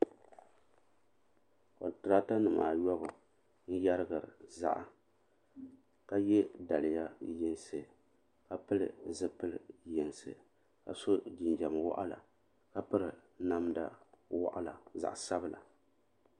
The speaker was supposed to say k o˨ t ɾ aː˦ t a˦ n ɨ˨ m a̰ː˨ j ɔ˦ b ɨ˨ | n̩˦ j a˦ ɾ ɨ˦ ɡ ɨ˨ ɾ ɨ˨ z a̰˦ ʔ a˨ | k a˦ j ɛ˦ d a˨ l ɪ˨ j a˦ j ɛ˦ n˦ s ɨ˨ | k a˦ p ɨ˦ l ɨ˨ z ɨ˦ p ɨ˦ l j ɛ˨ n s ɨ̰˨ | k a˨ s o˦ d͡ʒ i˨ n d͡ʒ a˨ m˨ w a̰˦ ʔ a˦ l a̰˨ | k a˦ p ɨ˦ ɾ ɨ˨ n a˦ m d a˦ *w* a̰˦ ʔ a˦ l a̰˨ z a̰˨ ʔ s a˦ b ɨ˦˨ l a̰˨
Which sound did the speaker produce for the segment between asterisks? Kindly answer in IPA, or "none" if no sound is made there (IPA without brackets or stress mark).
w